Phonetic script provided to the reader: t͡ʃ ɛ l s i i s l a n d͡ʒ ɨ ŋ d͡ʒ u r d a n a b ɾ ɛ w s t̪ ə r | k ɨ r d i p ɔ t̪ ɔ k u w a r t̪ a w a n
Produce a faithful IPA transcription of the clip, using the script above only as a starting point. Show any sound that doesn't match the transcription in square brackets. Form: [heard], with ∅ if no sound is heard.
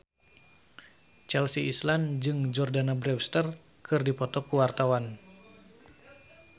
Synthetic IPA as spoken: t͡ʃ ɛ l s i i s l a n d͡ʒ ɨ ŋ d͡ʒ [ɔ] r d a n a b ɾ ɛ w s t̪ ə r | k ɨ r d i p ɔ t̪ ɔ k u w a r t̪ a w a n